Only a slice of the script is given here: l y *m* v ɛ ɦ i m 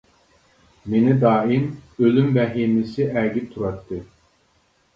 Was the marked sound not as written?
no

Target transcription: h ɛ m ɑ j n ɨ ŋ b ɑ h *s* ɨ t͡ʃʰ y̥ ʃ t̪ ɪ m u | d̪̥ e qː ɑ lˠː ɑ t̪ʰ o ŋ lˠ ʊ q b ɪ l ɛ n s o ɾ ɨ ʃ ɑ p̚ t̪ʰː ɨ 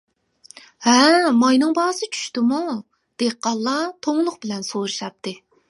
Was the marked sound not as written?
no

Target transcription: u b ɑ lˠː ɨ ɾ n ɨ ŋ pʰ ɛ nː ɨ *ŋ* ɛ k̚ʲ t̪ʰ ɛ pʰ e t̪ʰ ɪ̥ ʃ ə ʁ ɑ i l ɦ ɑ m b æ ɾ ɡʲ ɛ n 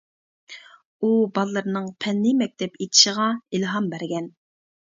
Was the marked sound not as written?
yes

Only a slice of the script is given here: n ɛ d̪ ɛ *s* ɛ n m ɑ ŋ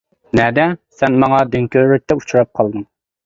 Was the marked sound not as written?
no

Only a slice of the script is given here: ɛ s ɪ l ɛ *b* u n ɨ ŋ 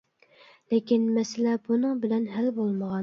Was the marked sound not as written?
no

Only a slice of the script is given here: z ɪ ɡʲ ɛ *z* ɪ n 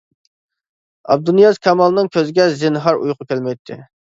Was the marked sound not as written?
no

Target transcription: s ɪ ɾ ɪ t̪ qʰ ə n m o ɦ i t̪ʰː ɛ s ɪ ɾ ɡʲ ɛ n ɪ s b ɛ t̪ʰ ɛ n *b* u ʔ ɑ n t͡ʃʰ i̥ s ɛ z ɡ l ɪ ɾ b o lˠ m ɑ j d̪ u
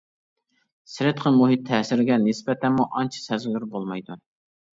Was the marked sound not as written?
yes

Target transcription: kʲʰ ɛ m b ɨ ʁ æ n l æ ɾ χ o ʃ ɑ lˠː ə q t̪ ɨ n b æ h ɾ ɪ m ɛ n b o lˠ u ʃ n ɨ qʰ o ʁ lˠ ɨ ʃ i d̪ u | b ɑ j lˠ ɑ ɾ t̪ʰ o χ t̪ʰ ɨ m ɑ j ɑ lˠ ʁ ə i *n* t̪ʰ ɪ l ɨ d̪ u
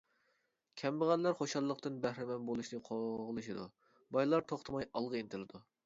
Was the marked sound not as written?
no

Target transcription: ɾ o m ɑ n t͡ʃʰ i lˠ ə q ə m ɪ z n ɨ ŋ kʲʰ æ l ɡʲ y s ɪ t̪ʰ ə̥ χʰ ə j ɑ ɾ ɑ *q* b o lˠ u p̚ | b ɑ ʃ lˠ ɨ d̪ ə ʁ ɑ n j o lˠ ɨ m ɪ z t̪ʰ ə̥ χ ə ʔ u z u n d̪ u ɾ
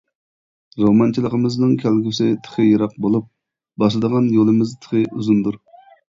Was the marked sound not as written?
no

